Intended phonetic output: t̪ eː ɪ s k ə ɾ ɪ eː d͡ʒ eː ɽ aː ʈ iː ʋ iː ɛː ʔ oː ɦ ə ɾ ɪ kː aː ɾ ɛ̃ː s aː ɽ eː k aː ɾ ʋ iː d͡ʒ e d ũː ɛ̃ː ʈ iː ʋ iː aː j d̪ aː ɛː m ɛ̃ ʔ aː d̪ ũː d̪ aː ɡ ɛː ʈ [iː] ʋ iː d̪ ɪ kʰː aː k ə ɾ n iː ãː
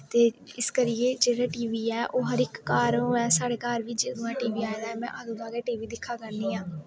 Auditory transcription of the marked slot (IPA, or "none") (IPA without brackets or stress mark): iː